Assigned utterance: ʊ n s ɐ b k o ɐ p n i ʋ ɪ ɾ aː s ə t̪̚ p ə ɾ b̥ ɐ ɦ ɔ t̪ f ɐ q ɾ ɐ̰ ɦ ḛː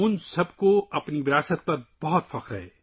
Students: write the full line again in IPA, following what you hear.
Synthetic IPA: ʊ n s ɐ b k o ɐ p n i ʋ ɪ ɾ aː s ə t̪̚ p ɐ ɾ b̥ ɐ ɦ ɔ t̪ f ɐ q ɾ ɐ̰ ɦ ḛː